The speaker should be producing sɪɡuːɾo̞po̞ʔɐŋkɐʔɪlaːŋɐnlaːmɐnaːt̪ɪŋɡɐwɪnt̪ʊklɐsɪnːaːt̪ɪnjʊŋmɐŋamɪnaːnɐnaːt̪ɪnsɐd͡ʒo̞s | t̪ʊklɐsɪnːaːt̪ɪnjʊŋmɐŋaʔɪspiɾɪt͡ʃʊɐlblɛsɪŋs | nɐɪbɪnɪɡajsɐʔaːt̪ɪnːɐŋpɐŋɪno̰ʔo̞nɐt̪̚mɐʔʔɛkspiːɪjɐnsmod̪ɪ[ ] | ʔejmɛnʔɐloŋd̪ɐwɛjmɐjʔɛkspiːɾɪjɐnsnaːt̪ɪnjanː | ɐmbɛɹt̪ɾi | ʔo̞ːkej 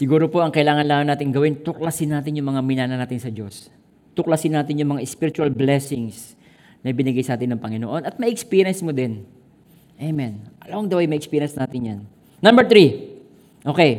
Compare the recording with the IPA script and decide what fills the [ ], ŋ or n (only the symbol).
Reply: n